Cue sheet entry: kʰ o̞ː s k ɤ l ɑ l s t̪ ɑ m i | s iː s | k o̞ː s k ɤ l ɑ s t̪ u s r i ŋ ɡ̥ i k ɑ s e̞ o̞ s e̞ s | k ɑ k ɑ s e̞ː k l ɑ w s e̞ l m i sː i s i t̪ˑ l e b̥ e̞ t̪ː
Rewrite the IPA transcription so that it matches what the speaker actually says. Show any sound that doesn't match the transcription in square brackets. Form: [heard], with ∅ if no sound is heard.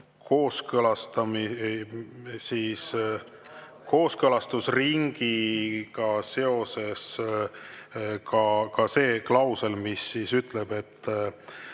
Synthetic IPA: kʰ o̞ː s k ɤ l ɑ [∅] s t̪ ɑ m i | s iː s | k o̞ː s k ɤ l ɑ s t̪ u s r i ŋ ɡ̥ i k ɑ s e̞ o̞ s e̞ s | k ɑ k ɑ s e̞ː k l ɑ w s e̞ l m i sː i s [y] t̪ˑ l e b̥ e̞ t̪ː